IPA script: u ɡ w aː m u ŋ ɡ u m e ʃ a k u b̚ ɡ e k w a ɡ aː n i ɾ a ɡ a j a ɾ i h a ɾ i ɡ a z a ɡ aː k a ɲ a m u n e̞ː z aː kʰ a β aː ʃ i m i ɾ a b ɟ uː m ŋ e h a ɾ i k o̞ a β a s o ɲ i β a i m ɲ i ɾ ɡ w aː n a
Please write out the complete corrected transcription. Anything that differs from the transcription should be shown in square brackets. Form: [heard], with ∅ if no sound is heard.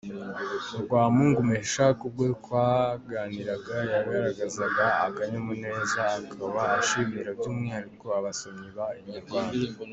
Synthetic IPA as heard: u ɡ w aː m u ŋ ɡ u m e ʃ a k u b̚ ɡ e k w a ɡ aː n i ɾ a ɡ a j a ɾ i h a ɾ [a] ɡ a z a ɡ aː k a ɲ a m u n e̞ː z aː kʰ a β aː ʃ i m i ɾ a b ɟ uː m ŋ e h a ɾ i k o̞ a β a s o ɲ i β a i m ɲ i ɾ ɡ w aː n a